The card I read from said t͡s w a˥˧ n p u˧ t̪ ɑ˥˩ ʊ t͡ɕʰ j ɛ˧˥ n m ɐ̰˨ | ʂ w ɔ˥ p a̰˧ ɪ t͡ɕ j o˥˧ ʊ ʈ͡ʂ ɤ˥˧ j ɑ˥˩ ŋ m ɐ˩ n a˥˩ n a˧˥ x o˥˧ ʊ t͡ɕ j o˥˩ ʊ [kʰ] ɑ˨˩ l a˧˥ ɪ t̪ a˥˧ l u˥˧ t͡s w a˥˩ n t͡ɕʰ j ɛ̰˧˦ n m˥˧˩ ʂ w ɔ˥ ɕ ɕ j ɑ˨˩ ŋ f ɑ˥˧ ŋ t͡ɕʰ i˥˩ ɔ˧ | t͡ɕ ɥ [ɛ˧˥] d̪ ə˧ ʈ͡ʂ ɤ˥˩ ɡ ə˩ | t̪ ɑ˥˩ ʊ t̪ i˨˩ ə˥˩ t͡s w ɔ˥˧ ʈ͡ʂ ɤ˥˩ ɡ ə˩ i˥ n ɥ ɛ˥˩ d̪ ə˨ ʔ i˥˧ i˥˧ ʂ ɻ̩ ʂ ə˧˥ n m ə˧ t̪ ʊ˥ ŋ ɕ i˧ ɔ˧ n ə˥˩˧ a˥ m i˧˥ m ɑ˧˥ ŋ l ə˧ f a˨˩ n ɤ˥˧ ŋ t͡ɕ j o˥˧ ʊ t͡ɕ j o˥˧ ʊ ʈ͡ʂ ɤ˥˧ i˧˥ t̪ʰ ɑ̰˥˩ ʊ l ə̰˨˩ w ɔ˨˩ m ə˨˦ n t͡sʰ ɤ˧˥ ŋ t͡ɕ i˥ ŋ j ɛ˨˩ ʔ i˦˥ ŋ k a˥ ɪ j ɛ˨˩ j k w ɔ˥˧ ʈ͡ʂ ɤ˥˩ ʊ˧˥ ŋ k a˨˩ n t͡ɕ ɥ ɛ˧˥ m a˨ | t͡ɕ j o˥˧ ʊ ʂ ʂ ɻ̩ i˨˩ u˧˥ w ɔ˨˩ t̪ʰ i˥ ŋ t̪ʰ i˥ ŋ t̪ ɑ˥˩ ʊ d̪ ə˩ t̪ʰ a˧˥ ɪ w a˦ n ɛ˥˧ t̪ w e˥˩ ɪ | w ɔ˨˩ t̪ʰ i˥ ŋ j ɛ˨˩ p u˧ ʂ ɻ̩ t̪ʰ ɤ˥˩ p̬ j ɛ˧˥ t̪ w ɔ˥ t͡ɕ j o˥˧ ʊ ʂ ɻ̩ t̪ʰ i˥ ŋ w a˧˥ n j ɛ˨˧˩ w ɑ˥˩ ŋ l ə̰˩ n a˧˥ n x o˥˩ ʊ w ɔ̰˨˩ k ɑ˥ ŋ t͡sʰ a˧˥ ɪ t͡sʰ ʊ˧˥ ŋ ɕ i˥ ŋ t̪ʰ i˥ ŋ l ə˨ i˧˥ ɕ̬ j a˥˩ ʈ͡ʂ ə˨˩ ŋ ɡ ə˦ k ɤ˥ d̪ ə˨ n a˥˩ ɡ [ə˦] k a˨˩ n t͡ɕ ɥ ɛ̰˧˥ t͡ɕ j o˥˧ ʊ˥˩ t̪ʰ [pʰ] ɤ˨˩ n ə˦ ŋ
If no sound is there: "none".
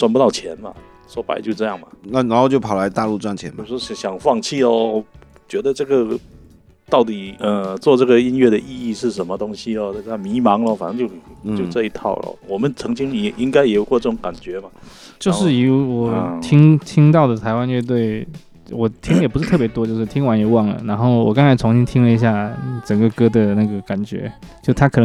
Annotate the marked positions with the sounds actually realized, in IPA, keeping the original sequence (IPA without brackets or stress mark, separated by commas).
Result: pʰ, ɛ˧˥, ə˩, kʰ